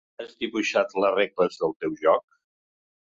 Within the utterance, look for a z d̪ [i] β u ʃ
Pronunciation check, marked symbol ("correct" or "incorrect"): correct